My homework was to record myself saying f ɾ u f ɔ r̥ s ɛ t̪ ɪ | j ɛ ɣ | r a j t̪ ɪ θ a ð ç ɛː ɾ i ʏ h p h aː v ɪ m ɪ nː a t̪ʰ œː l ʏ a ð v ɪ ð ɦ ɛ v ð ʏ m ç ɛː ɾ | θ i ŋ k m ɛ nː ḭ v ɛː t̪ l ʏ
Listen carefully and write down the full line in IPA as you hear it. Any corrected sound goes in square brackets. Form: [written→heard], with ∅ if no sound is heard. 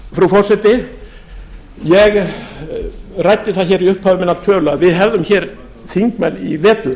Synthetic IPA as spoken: f ɾ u f ɔ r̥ s ɛ t̪ ɪ | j ɛ ɣ | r a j t̪ ɪ θ a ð ç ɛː ɾ i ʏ h p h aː v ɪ m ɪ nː a t̪ʰ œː l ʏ a ð v ɪ ð ɦ ɛ v ð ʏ m ç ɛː ɾ | θ i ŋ k m ɛ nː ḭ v ɛː t̪ l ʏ